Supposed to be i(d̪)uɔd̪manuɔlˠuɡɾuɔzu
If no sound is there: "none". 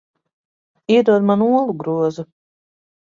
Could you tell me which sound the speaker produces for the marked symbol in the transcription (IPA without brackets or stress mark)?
d̪